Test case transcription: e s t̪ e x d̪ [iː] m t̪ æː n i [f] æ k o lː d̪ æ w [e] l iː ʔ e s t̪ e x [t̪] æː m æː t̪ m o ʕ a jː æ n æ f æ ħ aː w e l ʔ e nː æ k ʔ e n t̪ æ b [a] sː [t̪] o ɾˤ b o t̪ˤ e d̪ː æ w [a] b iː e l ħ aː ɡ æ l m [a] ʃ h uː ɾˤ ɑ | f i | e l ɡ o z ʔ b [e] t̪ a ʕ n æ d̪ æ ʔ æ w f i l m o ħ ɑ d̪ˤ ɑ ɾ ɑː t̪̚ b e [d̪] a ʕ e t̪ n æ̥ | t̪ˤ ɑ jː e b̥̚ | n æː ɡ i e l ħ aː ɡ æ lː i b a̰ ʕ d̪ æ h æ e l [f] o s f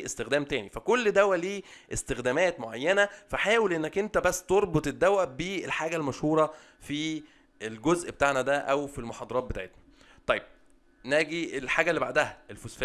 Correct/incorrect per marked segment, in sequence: incorrect, correct, incorrect, incorrect, incorrect, correct, incorrect, incorrect, correct, incorrect, correct

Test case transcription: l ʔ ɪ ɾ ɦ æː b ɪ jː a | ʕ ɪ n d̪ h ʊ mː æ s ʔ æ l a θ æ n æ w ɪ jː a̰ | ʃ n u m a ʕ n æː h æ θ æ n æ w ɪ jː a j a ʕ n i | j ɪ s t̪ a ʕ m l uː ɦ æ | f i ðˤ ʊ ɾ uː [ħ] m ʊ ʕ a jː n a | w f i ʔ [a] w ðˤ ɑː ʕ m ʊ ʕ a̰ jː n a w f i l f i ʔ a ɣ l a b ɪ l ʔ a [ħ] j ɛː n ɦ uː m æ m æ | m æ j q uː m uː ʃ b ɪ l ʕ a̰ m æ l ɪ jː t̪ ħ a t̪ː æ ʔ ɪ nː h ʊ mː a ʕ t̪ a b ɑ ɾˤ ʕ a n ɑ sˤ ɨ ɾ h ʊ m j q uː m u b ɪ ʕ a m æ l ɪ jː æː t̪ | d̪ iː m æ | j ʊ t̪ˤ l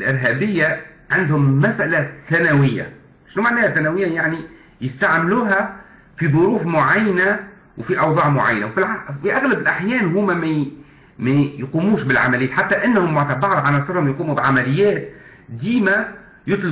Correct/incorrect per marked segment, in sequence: incorrect, incorrect, correct

